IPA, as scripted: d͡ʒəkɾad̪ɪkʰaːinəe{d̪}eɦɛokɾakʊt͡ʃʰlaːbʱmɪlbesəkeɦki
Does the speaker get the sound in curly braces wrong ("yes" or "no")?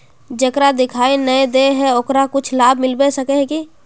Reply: no